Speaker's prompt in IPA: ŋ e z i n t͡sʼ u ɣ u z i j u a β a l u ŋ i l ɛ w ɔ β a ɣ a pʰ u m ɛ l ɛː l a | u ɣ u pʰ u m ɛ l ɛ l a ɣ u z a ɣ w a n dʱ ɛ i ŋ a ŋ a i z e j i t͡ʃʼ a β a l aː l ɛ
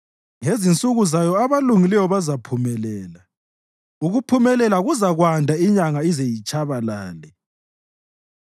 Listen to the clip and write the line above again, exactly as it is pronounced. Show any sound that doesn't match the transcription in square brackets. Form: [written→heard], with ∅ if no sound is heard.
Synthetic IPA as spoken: ŋ e z i n t͡sʼ u ɣ u z [i→a] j [u→ɔ] a β a l u ŋ i l ɛ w ɔ β a [ɣ→z] a pʰ u m ɛ l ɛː l a | u ɣ u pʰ u m ɛ l ɛ l a ɣ u z a ɣ w a n dʱ [ɛ→a] i [ŋ→ɲ] a ŋ a i z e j i t͡ʃʼ a β a l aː l ɛ